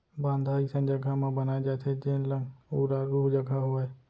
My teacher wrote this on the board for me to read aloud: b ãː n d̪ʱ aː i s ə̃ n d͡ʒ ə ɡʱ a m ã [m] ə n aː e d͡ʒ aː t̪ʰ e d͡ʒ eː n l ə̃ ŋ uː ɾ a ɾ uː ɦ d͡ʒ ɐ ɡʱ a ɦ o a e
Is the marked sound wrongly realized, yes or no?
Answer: yes